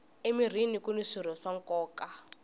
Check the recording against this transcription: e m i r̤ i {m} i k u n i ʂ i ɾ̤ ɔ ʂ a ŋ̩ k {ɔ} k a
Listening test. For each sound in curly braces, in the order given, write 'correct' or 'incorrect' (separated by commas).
incorrect, incorrect